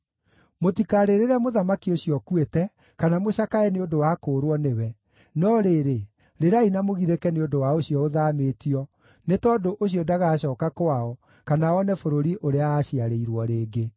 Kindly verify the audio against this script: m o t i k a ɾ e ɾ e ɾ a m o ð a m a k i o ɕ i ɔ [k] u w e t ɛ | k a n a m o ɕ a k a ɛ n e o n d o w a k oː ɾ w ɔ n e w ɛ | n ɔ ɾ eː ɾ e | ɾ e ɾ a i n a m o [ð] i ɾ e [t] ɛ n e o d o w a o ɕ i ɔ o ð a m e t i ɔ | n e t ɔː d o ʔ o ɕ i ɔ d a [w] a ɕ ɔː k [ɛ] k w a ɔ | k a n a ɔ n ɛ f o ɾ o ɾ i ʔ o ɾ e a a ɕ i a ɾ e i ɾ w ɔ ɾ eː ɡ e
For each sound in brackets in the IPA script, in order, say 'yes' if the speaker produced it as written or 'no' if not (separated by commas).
yes, no, no, no, no